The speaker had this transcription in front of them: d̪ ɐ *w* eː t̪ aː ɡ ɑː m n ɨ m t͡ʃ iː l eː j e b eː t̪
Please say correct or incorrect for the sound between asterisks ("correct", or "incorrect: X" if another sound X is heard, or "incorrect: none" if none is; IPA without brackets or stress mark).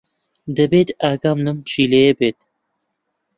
incorrect: b